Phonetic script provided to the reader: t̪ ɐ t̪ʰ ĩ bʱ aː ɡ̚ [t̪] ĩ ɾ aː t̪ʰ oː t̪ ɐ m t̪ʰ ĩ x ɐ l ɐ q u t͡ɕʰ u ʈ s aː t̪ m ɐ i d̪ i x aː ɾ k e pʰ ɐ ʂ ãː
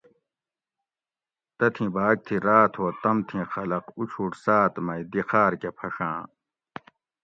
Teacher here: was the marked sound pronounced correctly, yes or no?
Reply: no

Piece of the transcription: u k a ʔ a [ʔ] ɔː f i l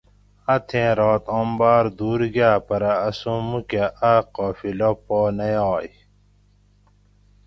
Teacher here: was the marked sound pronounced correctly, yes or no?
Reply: no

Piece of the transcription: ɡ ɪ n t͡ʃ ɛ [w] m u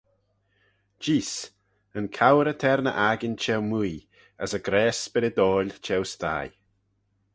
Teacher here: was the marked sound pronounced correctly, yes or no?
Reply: yes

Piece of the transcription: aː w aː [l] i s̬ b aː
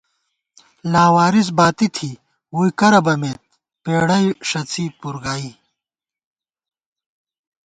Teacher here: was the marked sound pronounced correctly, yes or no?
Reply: no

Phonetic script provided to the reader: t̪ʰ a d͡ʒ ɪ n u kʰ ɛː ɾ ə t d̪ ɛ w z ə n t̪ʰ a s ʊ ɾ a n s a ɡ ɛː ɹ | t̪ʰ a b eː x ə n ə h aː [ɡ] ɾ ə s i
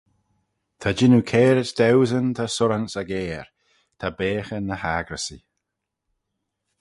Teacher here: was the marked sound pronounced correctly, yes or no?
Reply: yes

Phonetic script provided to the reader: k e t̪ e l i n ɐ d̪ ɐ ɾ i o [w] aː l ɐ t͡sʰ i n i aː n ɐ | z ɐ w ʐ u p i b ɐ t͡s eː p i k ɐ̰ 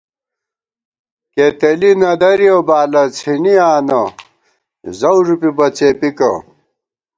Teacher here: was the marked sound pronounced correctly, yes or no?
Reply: no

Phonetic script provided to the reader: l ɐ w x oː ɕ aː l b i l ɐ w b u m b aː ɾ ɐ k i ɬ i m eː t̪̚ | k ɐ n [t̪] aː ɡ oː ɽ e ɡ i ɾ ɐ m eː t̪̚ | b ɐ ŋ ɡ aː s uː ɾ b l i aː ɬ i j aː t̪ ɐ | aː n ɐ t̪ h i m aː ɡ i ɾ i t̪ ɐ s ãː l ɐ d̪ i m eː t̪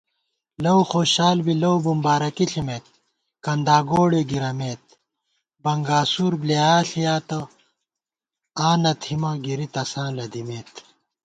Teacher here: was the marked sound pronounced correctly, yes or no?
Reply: no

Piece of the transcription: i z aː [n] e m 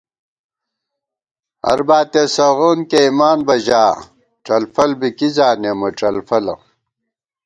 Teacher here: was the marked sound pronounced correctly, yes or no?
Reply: yes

